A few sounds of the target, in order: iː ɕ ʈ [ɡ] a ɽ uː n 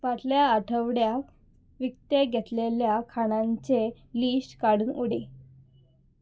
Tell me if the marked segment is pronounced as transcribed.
no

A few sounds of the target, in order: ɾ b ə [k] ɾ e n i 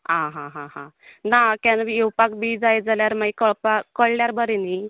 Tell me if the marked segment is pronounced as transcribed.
no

